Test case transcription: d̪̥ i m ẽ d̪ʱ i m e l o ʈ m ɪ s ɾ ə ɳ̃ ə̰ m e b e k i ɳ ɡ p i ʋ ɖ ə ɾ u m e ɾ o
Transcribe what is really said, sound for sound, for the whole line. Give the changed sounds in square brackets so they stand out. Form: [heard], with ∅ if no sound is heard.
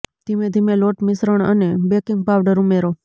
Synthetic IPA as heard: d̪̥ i m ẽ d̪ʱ i m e l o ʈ m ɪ s ɾ ə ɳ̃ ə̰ [n] e b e k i [ŋ] ɡ p [a] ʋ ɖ ə ɾ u m e ɾ o